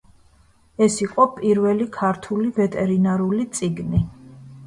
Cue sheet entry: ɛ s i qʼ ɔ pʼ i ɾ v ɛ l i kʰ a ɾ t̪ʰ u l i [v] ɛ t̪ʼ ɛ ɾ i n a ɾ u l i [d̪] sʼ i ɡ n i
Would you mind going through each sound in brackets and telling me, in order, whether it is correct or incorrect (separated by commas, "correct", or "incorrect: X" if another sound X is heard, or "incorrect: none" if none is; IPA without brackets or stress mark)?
correct, incorrect: t̪